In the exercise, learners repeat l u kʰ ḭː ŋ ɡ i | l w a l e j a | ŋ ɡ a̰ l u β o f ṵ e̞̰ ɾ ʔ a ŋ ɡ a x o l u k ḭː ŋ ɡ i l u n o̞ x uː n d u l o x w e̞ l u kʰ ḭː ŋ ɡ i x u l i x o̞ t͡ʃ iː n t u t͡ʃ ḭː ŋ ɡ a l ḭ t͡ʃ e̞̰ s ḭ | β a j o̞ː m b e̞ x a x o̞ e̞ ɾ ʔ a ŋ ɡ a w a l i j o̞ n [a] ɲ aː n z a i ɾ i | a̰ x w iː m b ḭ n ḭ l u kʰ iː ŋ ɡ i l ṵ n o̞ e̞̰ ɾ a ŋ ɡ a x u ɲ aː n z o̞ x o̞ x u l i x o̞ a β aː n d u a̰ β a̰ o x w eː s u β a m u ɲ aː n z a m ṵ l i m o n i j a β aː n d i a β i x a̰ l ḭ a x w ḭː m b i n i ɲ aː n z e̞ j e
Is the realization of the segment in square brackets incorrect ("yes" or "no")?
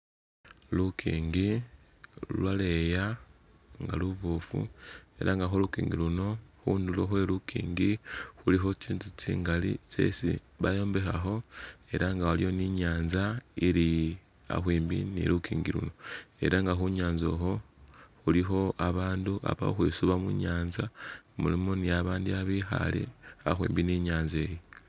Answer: yes